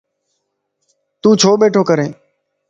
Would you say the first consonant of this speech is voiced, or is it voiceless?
voiceless